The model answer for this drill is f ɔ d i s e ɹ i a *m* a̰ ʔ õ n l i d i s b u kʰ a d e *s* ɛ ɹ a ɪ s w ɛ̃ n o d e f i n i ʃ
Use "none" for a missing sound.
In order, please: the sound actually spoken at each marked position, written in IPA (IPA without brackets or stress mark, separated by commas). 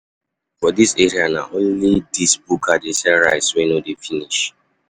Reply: n, s